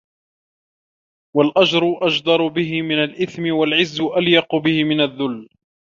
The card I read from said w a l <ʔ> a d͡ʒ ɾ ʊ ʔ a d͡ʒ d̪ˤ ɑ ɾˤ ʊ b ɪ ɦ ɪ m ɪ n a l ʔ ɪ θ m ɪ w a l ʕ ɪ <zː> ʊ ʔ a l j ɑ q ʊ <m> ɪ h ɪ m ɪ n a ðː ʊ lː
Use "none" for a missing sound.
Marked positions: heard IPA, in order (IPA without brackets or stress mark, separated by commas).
ʔ, zː, b